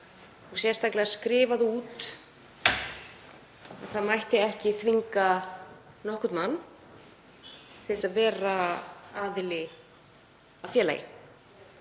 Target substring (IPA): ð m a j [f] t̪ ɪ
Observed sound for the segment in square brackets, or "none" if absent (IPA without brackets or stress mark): h